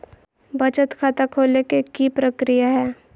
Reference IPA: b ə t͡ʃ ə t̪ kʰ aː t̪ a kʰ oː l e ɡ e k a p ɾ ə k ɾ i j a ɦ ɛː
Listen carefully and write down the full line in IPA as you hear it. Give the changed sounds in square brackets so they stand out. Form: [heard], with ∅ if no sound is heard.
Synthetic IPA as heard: b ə t͡ʃ ə t̪ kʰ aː t̪ a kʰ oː l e [k] e k [i] p ɾ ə k ɾ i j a ɦ ɛː